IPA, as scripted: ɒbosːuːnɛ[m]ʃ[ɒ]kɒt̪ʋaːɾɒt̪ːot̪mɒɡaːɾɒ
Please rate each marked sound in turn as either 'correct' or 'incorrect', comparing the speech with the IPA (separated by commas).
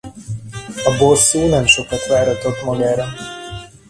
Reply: correct, incorrect